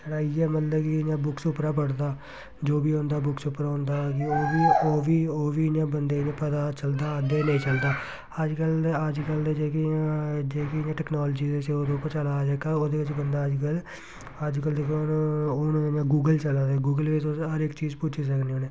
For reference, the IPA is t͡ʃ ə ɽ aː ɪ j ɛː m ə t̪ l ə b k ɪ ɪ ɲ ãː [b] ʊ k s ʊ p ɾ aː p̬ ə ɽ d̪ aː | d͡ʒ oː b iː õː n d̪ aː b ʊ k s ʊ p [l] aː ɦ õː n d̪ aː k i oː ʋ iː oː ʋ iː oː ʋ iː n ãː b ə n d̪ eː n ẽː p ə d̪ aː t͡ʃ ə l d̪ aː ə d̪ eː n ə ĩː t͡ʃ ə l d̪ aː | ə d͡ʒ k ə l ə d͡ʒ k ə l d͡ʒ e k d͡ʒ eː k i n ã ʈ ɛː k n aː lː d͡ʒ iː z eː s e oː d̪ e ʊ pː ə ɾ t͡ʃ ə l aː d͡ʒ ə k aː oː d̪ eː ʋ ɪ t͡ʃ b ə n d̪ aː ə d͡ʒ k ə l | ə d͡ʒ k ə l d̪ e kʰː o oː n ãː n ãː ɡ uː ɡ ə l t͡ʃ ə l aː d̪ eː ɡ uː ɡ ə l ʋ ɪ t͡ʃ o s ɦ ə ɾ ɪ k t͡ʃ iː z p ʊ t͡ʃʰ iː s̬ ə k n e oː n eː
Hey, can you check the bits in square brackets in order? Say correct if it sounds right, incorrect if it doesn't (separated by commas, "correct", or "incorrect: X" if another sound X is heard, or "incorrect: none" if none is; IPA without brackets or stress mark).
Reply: correct, incorrect: ɾ